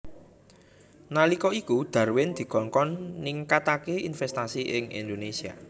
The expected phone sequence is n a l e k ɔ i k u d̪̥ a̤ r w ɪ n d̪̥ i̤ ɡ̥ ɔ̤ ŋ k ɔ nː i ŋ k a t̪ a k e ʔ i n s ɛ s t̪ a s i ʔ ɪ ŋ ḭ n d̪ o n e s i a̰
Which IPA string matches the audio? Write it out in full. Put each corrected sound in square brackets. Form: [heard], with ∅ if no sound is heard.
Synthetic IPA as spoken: n a l [i] k ɔ i k u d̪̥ a̤ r w ɪ n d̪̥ i̤ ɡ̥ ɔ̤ ŋ k ɔ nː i ŋ k a t̪ a k e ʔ i n [f] ɛ s t̪ a s i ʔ ɪ ŋ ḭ n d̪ o n e s i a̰